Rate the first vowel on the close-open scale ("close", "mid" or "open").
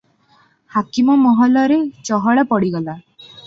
open